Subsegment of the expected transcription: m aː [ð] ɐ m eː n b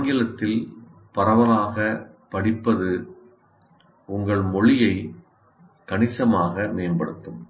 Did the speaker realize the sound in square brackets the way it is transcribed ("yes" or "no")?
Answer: no